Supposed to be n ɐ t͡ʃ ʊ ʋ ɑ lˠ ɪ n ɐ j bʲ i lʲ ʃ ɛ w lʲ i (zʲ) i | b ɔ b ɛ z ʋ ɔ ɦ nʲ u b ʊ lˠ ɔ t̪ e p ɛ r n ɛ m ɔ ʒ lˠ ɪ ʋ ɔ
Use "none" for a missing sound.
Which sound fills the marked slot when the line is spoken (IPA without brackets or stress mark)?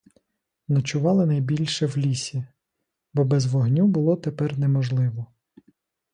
sʲ